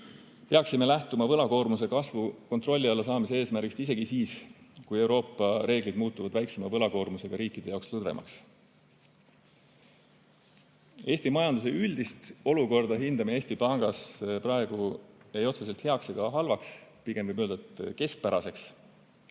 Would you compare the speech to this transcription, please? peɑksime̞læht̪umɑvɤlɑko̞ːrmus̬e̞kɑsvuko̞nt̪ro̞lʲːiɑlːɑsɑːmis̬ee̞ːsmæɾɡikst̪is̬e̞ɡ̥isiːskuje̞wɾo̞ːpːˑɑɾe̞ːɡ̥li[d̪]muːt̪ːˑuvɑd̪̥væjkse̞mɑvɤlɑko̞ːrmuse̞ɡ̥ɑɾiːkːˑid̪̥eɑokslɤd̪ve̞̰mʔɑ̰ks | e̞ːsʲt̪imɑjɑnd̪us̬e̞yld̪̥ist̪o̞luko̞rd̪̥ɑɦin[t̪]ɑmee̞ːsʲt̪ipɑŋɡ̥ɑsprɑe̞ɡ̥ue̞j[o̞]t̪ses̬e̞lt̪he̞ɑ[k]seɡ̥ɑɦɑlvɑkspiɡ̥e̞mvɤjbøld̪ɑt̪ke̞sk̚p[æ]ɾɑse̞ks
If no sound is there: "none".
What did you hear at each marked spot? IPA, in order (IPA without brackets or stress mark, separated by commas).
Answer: d̪, d̪, o̞, k, æ